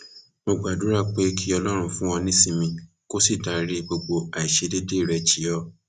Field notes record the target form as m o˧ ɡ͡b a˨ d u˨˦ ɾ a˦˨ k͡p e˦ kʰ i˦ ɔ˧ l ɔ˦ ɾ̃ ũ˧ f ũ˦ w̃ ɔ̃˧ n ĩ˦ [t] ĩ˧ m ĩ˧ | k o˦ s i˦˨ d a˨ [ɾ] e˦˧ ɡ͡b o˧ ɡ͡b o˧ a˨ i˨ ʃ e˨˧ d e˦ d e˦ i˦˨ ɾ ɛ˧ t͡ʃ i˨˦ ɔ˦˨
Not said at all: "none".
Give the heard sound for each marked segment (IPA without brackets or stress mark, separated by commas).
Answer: s, ɾ